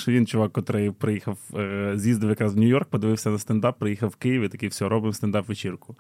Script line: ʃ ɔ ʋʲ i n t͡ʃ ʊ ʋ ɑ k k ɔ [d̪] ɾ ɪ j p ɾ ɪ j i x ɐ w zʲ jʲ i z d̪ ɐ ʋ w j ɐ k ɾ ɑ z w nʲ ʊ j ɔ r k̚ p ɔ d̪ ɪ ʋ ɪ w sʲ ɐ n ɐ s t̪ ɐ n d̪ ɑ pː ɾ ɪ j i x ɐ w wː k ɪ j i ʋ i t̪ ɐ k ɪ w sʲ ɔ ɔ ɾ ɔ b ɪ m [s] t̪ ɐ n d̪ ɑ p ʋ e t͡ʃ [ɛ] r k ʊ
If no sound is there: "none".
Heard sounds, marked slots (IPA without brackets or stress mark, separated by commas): t̪, s, i